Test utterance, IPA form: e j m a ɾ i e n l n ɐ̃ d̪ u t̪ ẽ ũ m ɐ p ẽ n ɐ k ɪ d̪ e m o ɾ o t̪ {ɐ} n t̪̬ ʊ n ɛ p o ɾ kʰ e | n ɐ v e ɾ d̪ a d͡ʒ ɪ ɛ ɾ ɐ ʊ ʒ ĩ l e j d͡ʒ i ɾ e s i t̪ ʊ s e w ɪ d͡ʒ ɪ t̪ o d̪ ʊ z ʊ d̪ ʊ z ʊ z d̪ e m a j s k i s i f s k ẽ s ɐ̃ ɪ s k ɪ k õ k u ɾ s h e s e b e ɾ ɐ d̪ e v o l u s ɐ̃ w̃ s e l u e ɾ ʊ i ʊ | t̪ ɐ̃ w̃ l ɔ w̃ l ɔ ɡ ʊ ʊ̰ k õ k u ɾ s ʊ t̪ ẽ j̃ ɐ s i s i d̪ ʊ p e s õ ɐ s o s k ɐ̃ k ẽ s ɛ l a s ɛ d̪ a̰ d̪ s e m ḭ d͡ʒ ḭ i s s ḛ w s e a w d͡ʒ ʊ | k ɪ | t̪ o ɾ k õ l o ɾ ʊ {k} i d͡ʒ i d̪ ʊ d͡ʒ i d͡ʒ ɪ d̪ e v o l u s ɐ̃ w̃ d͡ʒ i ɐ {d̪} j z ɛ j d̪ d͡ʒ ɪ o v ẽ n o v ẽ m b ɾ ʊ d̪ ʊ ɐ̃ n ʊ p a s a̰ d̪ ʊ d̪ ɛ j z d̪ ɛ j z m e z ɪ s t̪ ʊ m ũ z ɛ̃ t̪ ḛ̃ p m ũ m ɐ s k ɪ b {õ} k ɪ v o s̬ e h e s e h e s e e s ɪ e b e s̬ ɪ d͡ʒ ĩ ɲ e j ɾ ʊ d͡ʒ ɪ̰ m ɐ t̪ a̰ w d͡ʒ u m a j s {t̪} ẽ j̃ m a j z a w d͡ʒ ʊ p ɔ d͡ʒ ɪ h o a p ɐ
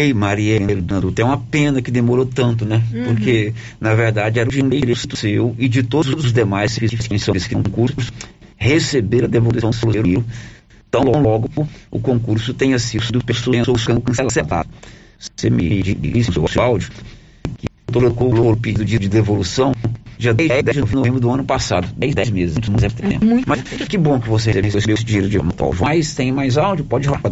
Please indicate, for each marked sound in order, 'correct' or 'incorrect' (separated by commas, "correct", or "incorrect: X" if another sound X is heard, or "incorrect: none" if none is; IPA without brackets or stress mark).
incorrect: ɐ̃, incorrect: p, correct, correct, correct